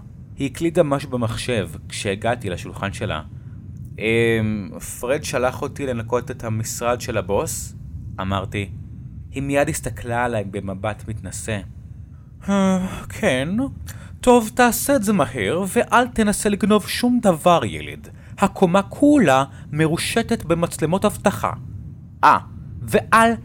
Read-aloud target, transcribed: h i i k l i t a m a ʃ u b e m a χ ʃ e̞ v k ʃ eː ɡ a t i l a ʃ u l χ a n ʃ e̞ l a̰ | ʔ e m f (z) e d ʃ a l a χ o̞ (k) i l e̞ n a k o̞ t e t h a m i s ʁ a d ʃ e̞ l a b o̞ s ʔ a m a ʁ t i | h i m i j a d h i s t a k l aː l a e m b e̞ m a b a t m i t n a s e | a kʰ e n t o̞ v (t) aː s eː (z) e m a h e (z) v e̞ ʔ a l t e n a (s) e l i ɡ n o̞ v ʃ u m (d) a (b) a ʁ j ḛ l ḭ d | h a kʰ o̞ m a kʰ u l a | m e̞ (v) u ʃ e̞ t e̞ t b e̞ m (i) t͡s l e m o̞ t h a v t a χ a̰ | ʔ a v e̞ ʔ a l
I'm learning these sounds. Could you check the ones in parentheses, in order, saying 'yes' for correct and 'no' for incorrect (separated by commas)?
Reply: no, no, yes, yes, no, yes, yes, no, no, no